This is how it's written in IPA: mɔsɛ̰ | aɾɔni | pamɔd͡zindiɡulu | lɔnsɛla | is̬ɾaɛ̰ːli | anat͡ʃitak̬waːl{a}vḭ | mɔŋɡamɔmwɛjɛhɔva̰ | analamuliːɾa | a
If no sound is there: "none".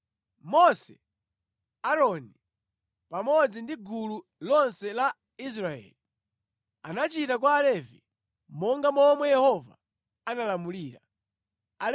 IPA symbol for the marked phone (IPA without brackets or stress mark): ɛ